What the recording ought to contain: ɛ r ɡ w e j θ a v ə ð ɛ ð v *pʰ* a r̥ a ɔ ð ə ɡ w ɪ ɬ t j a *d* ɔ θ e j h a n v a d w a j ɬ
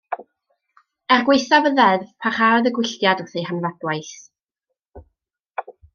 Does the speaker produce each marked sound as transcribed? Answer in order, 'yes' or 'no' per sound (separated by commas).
yes, yes